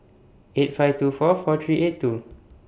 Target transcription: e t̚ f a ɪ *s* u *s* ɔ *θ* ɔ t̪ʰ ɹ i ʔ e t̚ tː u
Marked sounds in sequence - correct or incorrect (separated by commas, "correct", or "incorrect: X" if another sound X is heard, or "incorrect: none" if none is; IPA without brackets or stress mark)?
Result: incorrect: t, incorrect: f, incorrect: f